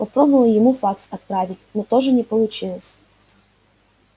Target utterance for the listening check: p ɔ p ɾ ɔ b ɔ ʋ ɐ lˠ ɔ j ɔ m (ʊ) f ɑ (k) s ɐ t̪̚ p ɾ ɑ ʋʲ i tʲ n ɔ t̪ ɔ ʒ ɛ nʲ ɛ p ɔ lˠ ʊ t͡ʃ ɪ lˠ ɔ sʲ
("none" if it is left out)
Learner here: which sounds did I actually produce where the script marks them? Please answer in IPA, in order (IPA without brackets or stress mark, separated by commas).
u, k